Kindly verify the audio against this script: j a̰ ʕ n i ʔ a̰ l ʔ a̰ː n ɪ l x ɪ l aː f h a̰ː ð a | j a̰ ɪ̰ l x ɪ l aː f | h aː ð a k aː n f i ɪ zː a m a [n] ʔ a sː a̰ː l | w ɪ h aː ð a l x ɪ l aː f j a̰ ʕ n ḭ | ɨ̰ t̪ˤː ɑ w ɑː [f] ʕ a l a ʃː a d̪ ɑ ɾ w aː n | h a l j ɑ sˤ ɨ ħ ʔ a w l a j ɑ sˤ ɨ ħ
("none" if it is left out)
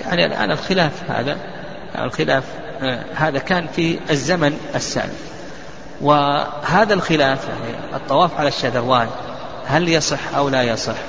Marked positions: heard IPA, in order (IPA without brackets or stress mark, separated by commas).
n, f